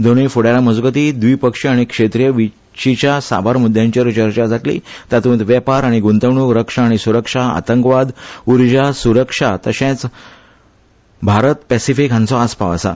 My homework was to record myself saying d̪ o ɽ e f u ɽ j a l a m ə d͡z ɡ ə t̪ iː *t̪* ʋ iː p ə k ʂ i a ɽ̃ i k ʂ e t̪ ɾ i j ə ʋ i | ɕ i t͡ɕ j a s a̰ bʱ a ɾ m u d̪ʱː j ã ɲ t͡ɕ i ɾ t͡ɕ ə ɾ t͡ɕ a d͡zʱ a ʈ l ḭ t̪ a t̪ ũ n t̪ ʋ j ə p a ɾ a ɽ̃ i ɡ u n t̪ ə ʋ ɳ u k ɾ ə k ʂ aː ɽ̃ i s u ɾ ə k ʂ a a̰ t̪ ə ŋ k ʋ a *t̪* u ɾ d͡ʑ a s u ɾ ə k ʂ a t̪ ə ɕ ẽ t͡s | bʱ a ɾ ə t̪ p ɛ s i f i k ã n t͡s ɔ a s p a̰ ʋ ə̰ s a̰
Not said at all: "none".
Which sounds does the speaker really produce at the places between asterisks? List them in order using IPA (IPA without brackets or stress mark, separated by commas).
d̪, d̪